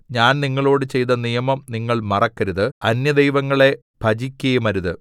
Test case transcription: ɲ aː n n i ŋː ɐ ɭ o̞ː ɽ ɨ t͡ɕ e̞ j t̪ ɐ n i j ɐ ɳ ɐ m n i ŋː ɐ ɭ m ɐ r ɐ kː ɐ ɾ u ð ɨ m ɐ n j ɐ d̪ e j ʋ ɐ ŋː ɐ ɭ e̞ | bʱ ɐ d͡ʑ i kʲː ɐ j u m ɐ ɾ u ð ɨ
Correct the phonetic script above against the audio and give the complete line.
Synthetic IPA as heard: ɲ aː n n i ŋː ɐ ɭ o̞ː ɽ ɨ t͡ɕ e̞ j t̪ ɐ n i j ɐ m ɐ m n i ŋː ɐ ɭ m ɐ r ɐ kː ɐ ɾ u ð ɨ ɐ n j ɐ d̪ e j ʋ ɐ ŋː ɐ ɭ e̞ | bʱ ɐ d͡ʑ i kʲː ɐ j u m ɐ ɾ u ð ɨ